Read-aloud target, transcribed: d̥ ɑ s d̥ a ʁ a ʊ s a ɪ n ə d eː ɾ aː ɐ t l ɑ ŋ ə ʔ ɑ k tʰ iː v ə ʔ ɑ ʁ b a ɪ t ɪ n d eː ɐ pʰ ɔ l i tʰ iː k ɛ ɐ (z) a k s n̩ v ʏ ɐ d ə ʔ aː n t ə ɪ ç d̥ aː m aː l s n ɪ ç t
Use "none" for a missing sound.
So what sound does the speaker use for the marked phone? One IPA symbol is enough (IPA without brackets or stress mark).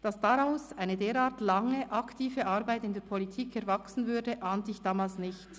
v